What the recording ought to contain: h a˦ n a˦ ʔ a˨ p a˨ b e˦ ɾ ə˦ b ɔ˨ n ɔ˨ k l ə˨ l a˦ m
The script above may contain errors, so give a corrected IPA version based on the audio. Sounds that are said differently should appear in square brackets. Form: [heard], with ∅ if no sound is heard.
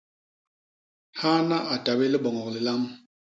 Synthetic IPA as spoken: h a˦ n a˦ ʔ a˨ [t] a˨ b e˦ [l] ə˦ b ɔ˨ [ŋ] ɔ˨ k l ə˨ l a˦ m